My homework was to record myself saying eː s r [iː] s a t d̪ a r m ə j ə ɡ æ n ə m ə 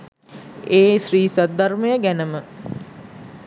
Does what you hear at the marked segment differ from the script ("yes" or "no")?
no